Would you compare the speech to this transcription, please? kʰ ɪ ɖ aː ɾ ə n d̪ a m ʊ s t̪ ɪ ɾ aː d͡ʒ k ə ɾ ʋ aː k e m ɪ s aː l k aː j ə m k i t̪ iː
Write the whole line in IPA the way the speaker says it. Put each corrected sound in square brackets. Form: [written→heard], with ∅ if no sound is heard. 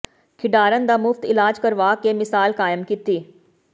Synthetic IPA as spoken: kʰ ɪ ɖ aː ɾ ə n d̪ a m ʊ [s→f] t̪ ɪ [ɾ→l] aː d͡ʒ k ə ɾ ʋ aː k e m ɪ s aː l k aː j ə m k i t̪ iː